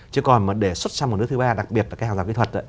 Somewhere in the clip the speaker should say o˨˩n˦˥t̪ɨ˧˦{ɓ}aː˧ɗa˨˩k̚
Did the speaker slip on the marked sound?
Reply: no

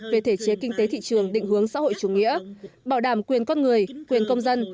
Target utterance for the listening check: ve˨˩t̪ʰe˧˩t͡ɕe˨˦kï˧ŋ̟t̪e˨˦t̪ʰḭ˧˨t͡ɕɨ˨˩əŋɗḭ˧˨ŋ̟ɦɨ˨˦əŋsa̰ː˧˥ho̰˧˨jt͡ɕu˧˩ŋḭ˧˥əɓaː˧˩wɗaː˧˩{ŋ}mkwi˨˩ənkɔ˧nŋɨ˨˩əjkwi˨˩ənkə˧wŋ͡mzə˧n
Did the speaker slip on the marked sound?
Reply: yes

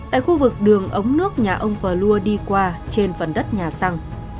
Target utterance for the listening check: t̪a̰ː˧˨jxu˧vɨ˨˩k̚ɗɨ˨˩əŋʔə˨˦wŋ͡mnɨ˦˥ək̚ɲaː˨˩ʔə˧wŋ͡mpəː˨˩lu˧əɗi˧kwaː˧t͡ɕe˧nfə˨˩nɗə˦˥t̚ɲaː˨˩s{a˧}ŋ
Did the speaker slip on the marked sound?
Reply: no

